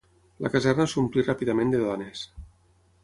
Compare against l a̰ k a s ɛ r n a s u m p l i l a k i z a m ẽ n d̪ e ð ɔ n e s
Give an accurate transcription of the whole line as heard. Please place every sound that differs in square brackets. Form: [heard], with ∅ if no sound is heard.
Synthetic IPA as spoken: l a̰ k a [z] ɛ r n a s u m p l i [r] a [p] i [ð] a m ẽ n d̪ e ð ɔ n e s